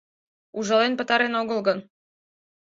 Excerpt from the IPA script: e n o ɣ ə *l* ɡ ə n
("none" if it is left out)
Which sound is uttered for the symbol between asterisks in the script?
l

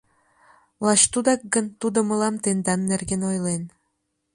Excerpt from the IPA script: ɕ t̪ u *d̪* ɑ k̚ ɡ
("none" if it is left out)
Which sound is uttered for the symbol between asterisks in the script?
d̪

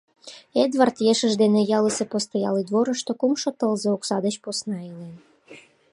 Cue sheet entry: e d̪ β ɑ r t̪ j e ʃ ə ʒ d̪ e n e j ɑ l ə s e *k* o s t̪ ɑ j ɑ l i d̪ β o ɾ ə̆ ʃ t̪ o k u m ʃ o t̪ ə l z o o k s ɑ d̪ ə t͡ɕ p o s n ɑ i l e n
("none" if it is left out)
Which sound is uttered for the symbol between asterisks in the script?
p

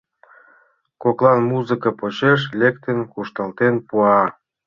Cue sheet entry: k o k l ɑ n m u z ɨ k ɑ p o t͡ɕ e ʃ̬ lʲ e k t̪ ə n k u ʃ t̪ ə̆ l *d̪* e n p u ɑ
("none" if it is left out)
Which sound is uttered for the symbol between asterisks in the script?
t̪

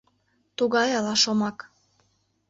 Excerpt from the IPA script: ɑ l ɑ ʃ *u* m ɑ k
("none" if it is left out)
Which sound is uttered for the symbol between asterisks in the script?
o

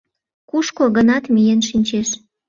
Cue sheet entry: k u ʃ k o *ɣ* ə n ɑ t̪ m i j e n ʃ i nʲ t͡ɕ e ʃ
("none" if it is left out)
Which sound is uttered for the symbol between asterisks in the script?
ɣ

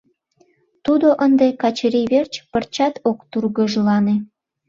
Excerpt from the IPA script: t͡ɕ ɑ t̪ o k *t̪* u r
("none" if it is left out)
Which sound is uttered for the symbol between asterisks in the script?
t̪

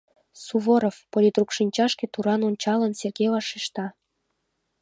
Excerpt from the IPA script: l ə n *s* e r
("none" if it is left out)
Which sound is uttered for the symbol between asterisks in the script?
s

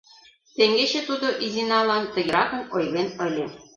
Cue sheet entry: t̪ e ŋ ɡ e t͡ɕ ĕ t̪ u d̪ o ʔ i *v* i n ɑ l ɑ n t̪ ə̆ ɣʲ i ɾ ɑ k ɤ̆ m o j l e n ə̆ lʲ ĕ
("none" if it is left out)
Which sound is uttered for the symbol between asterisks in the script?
z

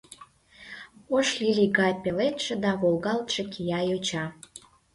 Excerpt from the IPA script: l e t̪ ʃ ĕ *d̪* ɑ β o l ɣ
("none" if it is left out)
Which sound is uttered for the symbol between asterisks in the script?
d̪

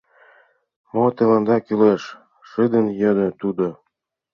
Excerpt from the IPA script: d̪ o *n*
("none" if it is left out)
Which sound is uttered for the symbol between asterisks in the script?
none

